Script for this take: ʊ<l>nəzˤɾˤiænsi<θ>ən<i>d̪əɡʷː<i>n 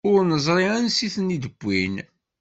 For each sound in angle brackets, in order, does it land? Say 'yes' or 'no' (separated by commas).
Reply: no, yes, yes, yes